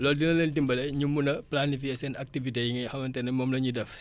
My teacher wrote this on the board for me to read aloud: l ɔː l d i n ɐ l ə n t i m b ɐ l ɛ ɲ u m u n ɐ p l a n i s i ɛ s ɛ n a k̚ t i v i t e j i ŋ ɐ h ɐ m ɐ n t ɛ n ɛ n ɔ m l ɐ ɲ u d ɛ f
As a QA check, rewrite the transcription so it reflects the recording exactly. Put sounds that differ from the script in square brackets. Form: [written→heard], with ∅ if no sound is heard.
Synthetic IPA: l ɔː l d i n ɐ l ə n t i m b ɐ l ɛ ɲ u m u n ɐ p l a n i [s→f] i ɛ s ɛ n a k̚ t i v i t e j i ŋ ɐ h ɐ m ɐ n t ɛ n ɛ [n→m] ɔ m l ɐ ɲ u d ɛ f